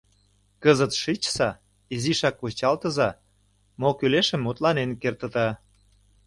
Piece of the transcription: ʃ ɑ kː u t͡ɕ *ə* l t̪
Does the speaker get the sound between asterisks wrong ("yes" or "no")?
yes